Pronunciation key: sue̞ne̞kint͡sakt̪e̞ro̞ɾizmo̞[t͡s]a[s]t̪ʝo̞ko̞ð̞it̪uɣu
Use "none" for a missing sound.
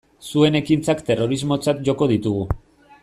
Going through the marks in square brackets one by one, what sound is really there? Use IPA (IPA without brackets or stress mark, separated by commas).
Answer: t͡s, none